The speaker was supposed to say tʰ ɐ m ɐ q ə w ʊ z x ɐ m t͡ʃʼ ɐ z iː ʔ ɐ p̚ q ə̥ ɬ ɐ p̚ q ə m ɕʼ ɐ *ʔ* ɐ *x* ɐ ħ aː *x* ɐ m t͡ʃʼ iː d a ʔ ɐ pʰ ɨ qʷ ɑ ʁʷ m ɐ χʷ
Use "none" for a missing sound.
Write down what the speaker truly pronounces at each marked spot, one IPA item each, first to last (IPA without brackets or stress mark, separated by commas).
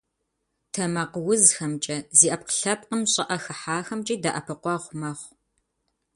ʔ, x, x